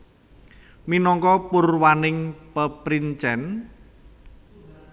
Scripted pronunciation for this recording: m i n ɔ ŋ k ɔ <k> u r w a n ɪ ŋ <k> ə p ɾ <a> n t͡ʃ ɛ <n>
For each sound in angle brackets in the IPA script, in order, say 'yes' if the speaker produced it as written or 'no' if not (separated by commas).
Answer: no, no, no, yes